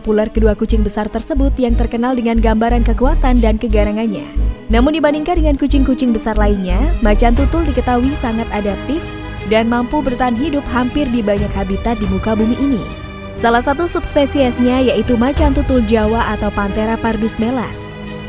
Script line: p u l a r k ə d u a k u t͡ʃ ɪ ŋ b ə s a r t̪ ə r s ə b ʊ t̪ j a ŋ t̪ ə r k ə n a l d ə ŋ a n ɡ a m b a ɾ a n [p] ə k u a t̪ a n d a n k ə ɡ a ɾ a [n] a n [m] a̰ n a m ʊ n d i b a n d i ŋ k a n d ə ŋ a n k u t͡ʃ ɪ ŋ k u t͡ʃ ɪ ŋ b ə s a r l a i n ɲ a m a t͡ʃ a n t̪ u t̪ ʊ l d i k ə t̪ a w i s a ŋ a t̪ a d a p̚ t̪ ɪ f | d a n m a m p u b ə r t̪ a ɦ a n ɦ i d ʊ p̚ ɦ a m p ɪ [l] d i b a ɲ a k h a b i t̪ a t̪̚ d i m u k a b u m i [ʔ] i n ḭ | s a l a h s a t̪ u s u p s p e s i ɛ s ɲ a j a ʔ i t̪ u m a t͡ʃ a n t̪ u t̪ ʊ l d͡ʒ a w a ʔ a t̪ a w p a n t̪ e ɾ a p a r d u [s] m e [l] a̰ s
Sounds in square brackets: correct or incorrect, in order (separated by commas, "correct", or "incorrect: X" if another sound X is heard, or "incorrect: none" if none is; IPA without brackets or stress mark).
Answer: incorrect: k, incorrect: ŋ, incorrect: ɲ, incorrect: r, correct, correct, correct